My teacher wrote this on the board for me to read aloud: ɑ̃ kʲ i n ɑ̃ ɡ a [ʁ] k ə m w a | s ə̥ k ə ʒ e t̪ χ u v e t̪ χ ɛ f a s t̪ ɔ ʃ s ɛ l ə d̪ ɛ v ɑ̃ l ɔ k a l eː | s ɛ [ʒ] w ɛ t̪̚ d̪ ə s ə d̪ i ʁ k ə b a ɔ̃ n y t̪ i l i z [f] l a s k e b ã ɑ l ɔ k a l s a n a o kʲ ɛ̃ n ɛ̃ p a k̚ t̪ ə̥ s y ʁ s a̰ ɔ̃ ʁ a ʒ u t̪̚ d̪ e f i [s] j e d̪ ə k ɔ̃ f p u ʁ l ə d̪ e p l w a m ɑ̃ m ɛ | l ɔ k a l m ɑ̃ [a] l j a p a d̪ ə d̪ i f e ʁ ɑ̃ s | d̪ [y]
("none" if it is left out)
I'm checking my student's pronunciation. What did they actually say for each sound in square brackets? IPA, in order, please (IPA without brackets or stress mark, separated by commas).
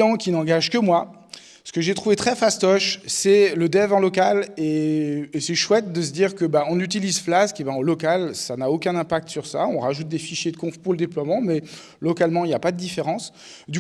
ʒ, ʃ, f, ʃ, i, y